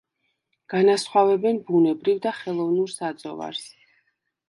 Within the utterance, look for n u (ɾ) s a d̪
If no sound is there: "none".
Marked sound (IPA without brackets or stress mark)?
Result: ɾ